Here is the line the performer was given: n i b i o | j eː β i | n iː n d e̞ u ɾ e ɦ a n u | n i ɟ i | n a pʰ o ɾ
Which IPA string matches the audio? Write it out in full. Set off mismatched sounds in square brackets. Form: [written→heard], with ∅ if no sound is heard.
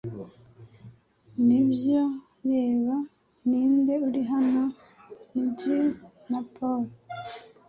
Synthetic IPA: n i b [i→j] o | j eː β [i→a] | n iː n d e̞ u ɾ [e→i] ɦ a n [u→o] | n i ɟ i | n a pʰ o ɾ

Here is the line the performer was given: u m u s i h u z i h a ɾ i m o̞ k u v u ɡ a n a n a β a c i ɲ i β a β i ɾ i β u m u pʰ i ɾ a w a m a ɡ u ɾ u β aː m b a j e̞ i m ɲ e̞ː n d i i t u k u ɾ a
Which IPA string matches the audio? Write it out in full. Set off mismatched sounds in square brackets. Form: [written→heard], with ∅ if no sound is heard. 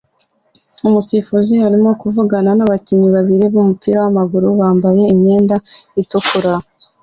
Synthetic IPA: u m u s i [h→f] u z i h a ɾ i m o̞ k u v u ɡ a n a n a β a c i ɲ i β a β i ɾ i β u m u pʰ i ɾ a w a m a ɡ u ɾ u β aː m b a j e̞ i m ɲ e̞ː n d [i→a] i t u k u ɾ a

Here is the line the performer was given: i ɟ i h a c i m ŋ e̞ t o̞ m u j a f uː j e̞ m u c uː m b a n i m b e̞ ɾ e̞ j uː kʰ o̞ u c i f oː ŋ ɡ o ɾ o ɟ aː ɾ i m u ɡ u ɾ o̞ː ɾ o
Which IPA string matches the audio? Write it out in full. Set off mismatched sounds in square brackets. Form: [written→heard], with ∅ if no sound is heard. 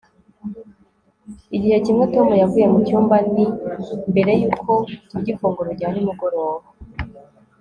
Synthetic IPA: i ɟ i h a c i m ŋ e̞ t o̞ m u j a [f→v] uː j e̞ m u c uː m b a n i m b e̞ ɾ e̞ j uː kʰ o̞ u [c→ɟ] i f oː ŋ ɡ o ɾ o ɟ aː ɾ i m u ɡ [u→o] ɾ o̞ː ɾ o

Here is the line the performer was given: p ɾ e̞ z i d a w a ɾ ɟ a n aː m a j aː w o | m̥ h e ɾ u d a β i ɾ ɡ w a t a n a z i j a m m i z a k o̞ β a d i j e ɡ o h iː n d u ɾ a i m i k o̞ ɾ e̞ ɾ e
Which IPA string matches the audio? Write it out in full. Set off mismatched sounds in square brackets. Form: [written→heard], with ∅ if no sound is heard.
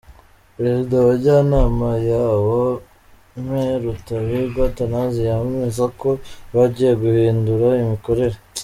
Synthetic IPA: p ɾ e̞ z i d a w a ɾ ɟ a n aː m a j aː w o | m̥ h e ɾ u [d→t] a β i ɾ ɡ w a t a n a z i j a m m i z a k o̞ β a [d→ɟ] i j e ɡ [o→u] h iː n d u ɾ a i m i k o̞ ɾ e̞ ɾ e

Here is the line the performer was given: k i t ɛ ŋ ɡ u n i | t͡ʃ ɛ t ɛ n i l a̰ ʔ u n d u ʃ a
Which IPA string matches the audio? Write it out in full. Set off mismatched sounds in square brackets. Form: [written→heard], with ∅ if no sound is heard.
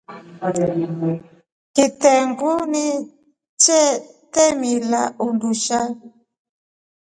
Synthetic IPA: k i t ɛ ŋ ɡ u n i | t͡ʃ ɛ t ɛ [n→m] i l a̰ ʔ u n d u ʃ a

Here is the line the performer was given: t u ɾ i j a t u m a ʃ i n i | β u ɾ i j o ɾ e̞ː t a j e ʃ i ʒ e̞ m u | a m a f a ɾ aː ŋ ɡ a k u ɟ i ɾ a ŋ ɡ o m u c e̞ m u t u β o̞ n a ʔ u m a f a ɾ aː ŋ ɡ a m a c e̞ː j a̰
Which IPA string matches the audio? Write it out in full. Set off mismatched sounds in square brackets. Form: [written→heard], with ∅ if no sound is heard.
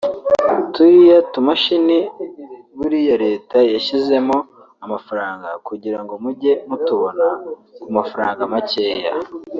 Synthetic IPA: t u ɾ i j a t u m a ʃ i n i | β u ɾ i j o ɾ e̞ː t a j [e→a] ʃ i [ʒ→z] e̞ m [u→o] | a m a f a ɾ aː ŋ ɡ a k u ɟ i ɾ a ŋ ɡ o m u [c→ɟ] e̞ m u t u β o̞ n a [ʔ→k] u m a f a ɾ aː ŋ ɡ a m a c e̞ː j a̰

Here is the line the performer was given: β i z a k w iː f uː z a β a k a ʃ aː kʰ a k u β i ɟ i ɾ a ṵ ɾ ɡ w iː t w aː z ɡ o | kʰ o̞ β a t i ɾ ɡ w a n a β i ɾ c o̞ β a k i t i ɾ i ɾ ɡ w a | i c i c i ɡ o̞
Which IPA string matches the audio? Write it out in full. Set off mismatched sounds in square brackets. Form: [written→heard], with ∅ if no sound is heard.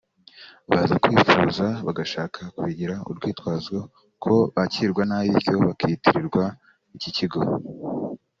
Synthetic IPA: β [i→a] z a k w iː f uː z a β a [k→ɡ] a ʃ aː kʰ a k u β i ɟ i ɾ a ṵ ɾ ɡ w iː t w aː z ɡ o | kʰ o̞ β a [t→c] i ɾ ɡ w a n a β i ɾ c o̞ β a k i t i ɾ i ɾ ɡ w a | i c i c i ɡ o̞

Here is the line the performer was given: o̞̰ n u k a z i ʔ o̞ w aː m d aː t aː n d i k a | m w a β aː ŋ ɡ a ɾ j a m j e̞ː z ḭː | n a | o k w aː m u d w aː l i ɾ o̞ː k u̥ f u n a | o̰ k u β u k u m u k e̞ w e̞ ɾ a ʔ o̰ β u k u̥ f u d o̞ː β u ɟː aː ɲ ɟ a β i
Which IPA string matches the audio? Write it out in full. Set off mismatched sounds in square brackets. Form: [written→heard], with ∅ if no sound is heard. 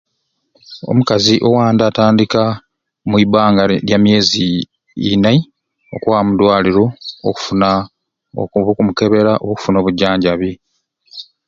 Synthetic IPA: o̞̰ [n→m] u k a z i ʔ o̞ w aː [m→n] d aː t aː n d i k a | m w [a→i] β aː ŋ ɡ a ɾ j a m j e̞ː z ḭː | n a | o k w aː m u d w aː l i ɾ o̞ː k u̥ f u n a | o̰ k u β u k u m u k e̞ [w→β] e̞ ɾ a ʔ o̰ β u k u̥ f u [d→n] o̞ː β u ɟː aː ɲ ɟ a β i

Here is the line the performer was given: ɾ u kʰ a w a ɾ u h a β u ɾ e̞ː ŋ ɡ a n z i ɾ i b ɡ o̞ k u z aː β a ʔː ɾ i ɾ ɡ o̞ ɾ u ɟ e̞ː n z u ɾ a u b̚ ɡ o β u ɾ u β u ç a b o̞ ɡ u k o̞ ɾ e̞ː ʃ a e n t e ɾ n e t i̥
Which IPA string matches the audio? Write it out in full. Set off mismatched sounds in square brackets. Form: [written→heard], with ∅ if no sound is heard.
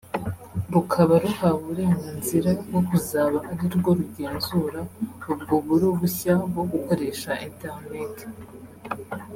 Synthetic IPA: ɾ u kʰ a [w→β] a ɾ u h a β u ɾ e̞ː ŋ ɡ a n z i ɾ [i→a] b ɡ o̞ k u z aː β a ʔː ɾ i ɾ ɡ o̞ ɾ u ɟ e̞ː n z u ɾ a u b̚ ɡ o β u ɾ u β u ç a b o̞ ɡ u k o̞ ɾ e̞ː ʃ a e n t e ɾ n e t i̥

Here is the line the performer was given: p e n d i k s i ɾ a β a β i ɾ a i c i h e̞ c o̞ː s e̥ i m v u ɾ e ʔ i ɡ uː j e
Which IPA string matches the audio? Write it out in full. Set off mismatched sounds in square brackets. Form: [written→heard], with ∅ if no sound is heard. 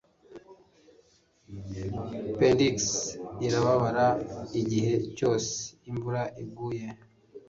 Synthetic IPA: p e n d i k s i ɾ a β a β [i→a] ɾ a i [c→ɟ] i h e̞ c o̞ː s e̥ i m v u ɾ [e→a] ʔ i ɡ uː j e

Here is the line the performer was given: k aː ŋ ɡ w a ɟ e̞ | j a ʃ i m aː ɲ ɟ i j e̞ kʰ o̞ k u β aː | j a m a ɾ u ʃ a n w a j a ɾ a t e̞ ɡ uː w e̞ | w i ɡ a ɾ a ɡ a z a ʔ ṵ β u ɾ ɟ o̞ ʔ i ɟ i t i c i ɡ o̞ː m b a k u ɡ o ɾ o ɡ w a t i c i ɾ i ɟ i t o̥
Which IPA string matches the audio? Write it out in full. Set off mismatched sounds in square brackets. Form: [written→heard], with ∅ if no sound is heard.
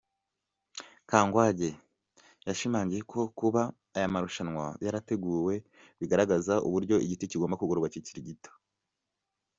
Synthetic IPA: k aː ŋ ɡ w a ɟ e̞ | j a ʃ i m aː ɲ ɟ i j e̞ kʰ o̞ k u β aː | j a m a ɾ u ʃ a n w a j a ɾ a t e̞ ɡ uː w e̞ | [w→β] i ɡ a ɾ a ɡ a z a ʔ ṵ β u ɾ ɟ o̞ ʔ i ɟ i t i c i ɡ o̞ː m b a k u ɡ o ɾ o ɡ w a [t→c] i c i ɾ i ɟ i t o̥

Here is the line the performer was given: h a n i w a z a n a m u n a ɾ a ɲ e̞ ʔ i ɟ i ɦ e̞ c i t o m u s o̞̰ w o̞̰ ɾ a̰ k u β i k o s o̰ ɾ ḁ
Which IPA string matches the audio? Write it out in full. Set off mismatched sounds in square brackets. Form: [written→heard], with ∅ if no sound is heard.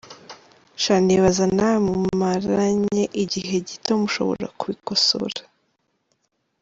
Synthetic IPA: [h→ʃ] a n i [w→β] a z a n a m u [n→m] a ɾ a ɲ e̞ ʔ i ɟ i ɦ e̞ [c→ɟ] i t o m u [s→ʃ] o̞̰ [w→β] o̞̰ ɾ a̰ k u β i k o s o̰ ɾ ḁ

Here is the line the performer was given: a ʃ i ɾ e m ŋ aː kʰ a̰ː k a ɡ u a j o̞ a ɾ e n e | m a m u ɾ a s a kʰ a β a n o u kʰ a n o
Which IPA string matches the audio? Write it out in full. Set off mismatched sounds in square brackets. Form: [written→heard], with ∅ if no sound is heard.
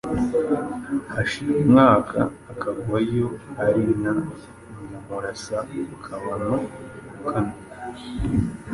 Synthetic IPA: a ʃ i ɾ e m ŋ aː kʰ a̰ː k a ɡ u a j o̞ a ɾ [e→i] n [e→a] | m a m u ɾ a s a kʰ a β a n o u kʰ a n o

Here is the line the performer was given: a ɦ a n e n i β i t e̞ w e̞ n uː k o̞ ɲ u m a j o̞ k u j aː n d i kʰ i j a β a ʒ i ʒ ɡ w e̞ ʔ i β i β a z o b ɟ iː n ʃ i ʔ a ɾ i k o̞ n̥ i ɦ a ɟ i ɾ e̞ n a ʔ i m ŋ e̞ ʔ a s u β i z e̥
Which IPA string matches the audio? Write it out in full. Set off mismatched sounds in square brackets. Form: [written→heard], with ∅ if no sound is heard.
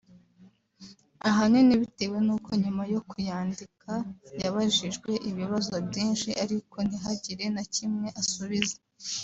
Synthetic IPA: a ɦ a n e n i β i t e̞ w e̞ n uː k o̞ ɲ u m a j o̞ k u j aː n d i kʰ [i→a] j a β a ʒ i ʒ ɡ w e̞ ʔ i β i β a z o b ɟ iː n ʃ i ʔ a ɾ i k o̞ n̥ i ɦ a ɟ i ɾ e̞ n a [ʔ→c] i m ŋ e̞ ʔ a s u β i z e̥

